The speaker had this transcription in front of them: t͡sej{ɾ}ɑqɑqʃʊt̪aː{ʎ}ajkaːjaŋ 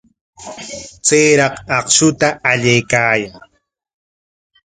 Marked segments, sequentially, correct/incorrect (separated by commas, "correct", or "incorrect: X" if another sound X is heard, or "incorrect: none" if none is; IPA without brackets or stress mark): correct, correct